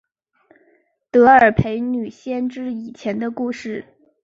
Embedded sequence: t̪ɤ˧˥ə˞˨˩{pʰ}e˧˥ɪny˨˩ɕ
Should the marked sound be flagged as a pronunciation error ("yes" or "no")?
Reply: no